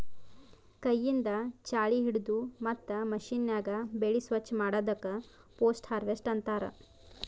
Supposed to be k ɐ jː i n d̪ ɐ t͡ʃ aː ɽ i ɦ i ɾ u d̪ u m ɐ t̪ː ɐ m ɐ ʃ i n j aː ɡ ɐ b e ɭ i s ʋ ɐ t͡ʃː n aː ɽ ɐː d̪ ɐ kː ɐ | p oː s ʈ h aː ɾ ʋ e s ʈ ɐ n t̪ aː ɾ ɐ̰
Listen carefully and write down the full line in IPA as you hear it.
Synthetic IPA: k ɐ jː i n d̪ ɐ t͡ʃ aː ɭ i ɦ i ɽ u d̪ u m ɐ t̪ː ɐ m ɐ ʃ i n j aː ɡ ɐ b e ɭ i s ʋ ɐ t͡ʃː m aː ɽ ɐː d̪ ɐ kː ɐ | p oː s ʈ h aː ɾ ʋ e s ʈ ɐ n t̪ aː ɾ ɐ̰